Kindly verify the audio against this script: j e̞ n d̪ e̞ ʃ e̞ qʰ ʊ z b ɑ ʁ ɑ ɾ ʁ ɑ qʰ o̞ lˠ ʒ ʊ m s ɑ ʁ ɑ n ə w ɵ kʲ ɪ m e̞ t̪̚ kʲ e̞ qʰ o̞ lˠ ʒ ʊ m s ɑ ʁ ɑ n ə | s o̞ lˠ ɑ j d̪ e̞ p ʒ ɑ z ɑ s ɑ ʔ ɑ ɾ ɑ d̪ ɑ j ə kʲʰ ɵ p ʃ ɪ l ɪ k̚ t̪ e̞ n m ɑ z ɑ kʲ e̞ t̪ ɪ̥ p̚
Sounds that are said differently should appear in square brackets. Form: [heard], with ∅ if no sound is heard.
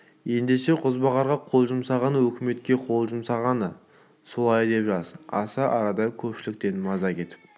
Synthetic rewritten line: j e̞ n d̪ e̞ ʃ e̞ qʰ ʊ z b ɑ ʁ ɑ ɾ ʁ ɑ qʰ o̞ lˠ ʒ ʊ m s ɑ ʁ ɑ n ə w ɵ kʲ ɪ m e̞ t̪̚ kʲ e̞ qʰ o̞ lˠ ʒ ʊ m s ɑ ʁ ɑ n ə | s o̞ lˠ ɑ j d̪ e̞ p ʒ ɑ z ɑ s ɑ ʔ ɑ ɾ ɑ d̪ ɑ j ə kʲʰ ɵ p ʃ ɪ l ɪ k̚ t̪ e̞ n m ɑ z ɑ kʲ e̞ t̪ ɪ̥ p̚